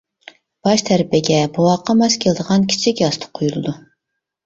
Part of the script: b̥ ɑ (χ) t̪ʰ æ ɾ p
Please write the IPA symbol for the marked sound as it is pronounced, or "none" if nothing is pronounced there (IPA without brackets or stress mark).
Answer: ʃ